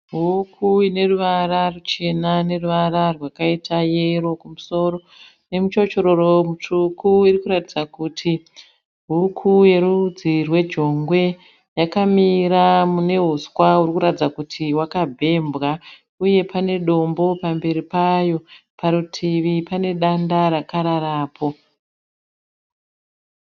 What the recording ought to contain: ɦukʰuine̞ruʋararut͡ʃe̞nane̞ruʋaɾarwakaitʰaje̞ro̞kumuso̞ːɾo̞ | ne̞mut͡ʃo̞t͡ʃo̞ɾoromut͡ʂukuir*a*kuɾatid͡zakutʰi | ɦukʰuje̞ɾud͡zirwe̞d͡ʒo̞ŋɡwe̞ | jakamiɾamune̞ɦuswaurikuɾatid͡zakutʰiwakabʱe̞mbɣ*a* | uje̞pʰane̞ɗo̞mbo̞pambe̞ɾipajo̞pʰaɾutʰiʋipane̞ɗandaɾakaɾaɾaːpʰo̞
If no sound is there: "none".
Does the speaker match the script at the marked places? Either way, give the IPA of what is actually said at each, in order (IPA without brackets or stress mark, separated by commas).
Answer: i, a